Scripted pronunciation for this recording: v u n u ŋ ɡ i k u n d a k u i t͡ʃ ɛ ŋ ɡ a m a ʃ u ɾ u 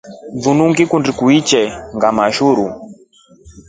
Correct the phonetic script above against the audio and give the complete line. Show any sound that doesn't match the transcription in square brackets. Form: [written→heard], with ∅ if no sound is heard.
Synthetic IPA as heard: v u n u ŋ ɡ i k u n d [a→i] k u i t͡ʃ ɛ ŋ ɡ a m a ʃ u ɾ u